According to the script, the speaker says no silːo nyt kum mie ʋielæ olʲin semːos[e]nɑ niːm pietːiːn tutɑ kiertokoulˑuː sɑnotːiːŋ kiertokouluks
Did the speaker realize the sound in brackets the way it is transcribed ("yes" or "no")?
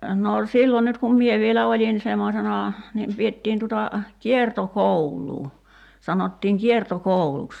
yes